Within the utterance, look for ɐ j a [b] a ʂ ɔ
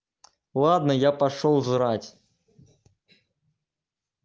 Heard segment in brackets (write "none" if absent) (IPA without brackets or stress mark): p